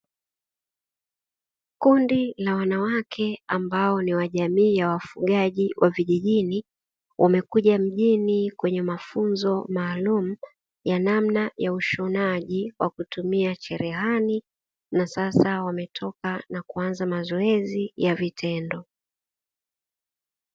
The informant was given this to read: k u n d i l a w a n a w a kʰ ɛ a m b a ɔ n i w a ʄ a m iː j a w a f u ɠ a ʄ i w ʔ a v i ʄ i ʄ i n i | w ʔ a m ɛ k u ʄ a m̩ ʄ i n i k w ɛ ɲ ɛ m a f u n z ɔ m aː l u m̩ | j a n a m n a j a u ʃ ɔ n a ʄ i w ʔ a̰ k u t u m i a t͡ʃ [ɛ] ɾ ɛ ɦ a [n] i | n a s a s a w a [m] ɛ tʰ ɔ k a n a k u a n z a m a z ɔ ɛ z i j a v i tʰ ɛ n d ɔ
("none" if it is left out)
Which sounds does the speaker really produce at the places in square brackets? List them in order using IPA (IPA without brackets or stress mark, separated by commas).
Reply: ɛ, n, m